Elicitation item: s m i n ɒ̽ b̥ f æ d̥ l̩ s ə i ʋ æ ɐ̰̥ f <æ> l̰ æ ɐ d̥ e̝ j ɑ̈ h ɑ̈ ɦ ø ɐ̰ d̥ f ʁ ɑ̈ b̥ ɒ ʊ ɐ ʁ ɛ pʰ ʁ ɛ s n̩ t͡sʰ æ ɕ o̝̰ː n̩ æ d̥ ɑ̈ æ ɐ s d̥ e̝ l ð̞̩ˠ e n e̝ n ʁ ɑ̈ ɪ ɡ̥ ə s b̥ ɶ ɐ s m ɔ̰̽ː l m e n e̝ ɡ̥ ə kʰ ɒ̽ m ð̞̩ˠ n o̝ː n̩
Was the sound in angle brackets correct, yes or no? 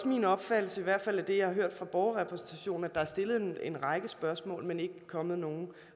yes